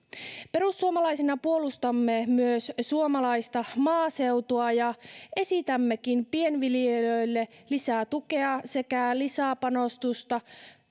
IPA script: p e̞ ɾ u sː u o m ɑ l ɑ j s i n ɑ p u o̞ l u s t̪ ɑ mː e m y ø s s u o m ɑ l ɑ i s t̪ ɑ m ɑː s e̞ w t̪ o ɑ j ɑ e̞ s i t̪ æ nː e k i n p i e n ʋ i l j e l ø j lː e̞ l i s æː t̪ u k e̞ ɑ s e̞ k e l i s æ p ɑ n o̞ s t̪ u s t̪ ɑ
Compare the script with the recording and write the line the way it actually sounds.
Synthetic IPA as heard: p e̞ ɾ u sː u o m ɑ l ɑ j s i n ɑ p u o̞ l u s t̪ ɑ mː e m y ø s s u o m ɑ l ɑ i s t̪ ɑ m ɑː s e̞ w t̪ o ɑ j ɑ e̞ s i t̪ æ mː e k i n p i e n ʋ i l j e l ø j lː e̞ l i s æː t̪ u k e̞ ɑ s e̞ k æ l i s æ p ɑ n o̞ s t̪ u s t̪ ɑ